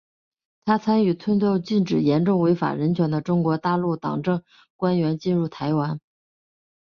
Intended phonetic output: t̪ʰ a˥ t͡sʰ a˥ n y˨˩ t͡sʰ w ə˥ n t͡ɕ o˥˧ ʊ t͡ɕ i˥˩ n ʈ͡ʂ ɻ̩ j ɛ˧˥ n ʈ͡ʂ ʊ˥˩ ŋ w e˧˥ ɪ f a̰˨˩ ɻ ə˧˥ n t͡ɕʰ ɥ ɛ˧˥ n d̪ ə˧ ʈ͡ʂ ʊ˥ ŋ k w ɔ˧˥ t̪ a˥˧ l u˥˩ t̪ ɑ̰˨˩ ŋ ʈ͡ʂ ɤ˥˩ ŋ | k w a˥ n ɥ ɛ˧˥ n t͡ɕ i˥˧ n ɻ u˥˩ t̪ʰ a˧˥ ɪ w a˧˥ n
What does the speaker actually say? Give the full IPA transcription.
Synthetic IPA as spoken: t̪ʰ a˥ t͡sʰ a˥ n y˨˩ t͡sʰ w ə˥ n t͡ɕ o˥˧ ʊ t͡ɕ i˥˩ n ʈ͡ʂ ɻ̩ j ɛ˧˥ n ʈ͡ʂ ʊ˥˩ ŋ w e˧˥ ɪ f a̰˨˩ ɻ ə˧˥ n t͡ɕʰ ɥ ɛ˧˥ n d̪ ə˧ ʈ͡ʂ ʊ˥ ŋ k w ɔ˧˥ t̪ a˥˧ l u˥˩ t̪ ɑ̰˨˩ ŋ ʈ͡ʂ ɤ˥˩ ŋ | k w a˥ n ɥ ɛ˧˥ n t͡ɕ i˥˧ n ɻ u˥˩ t̪ʰ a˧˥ ɪ w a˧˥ n